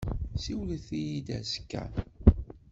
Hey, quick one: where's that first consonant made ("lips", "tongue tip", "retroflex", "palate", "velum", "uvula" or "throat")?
tongue tip